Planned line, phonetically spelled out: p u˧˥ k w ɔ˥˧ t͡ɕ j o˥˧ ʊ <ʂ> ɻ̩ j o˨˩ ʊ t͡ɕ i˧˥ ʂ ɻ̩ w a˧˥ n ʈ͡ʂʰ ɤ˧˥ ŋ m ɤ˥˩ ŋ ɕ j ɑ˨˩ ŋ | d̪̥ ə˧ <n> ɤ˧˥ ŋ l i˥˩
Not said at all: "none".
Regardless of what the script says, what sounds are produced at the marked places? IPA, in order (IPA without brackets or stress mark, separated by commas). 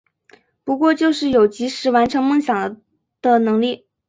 ʂ, n